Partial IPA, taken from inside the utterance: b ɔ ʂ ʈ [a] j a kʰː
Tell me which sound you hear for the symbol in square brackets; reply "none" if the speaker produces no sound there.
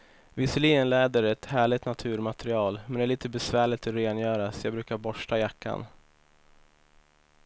a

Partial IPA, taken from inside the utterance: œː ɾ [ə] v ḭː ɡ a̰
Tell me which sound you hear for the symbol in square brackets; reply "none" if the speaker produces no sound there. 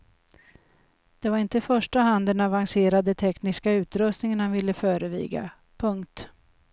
ə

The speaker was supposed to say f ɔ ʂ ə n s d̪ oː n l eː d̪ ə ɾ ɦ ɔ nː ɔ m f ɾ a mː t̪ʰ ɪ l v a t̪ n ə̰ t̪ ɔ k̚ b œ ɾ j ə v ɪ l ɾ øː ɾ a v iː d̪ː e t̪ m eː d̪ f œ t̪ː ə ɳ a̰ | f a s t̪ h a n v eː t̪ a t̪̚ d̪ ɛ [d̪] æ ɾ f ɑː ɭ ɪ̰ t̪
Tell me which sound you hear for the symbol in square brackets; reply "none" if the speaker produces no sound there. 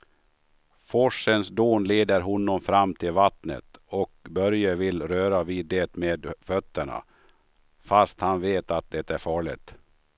t̪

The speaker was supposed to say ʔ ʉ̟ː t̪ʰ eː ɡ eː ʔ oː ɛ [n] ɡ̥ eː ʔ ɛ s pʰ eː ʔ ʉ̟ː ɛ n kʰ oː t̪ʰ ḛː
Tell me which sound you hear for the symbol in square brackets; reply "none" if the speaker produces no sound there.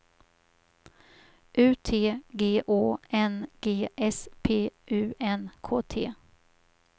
n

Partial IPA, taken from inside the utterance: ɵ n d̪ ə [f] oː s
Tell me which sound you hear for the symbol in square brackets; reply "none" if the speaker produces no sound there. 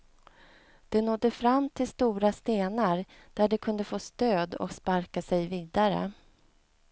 f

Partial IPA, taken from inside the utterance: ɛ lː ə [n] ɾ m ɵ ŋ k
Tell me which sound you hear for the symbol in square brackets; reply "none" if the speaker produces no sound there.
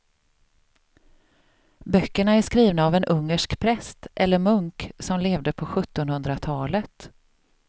none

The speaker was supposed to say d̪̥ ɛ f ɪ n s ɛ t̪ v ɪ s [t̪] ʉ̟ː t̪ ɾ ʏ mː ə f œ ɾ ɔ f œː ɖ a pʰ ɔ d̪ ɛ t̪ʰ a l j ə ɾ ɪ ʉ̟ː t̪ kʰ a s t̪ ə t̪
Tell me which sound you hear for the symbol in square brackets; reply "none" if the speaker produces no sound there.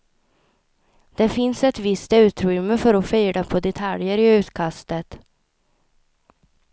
t̪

